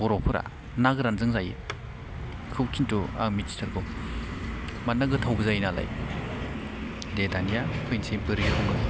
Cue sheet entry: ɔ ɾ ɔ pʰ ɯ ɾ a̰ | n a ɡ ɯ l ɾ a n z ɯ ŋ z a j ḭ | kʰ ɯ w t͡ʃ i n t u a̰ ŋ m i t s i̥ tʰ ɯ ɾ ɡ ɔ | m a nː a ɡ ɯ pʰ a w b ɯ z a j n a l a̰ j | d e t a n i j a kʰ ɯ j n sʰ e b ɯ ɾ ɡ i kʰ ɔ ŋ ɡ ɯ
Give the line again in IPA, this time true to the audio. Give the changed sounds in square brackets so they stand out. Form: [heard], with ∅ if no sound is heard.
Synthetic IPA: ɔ ɾ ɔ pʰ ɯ ɾ a̰ | n a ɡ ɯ [∅] ɾ a n z ɯ ŋ z a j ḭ | kʰ ɯ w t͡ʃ i n t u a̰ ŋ m i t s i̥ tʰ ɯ ɾ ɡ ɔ | m a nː a ɡ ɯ [tʰ] a w b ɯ z a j n a l a̰ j | d e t a n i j a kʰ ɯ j n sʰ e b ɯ ɾ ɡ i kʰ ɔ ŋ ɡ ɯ